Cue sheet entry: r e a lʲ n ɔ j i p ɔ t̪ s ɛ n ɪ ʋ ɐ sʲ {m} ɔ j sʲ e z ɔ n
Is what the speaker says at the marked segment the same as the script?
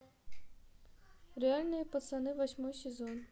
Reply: yes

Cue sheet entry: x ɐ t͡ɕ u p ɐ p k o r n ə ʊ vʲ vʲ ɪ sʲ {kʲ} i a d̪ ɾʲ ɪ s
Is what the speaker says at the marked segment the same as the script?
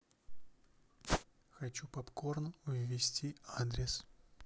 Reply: no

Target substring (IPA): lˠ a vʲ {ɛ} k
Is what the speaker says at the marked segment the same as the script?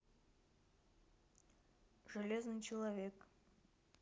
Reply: no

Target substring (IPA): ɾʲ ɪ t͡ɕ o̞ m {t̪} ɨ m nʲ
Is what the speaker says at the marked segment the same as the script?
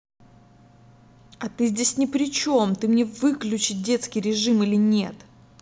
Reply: yes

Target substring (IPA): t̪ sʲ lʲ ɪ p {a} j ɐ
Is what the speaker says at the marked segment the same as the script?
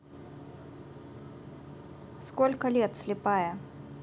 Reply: yes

